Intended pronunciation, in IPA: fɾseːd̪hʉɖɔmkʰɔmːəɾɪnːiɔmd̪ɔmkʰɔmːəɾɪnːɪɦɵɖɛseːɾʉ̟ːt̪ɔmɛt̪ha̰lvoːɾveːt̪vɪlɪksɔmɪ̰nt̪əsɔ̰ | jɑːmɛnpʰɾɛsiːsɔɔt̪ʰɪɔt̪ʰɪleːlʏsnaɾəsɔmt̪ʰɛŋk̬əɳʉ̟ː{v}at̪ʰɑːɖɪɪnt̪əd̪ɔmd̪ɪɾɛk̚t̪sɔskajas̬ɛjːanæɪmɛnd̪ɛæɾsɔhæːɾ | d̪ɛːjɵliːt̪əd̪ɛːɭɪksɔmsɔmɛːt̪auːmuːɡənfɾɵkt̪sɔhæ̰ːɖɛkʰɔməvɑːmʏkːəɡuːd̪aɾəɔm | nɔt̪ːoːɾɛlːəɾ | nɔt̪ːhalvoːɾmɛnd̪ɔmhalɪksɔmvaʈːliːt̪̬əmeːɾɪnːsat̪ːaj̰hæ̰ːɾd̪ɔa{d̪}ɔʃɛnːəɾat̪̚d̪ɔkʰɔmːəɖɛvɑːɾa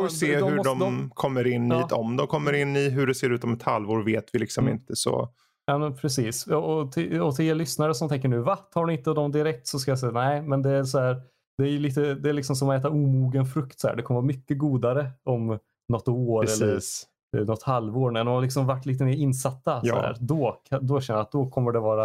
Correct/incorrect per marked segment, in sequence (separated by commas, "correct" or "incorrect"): correct, correct